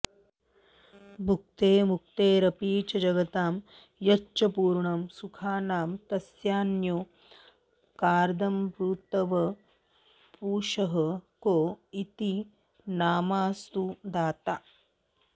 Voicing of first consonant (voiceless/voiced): voiced